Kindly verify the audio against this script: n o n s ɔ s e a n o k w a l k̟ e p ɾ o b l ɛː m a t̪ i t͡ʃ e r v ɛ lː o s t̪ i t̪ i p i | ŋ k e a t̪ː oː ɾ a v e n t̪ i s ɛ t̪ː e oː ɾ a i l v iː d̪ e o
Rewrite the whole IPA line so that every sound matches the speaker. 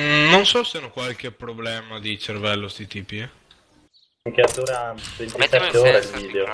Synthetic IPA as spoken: n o n s ɔ s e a n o k w a l k̟ e p ɾ o b l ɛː m a d̪ i t͡ʃ e r v ɛ lː o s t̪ i t̪ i p i | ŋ k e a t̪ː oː ɾ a v e n t̪ i s ɛ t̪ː e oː ɾ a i l v iː d̪ e o